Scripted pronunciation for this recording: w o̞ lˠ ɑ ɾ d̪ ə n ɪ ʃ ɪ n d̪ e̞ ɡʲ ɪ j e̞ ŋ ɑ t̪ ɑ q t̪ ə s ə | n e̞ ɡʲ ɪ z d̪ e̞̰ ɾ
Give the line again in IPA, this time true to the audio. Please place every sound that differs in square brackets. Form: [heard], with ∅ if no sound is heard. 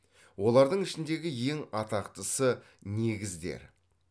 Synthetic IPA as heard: w o̞ lˠ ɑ ɾ d̪ ə [ɴ] ɪ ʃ ɪ n d̪ e̞ ɡʲ ɪ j e̞ ŋ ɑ t̪ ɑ q t̪ ə s ə | n e̞ ɡʲ ɪ z d̪ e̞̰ ɾ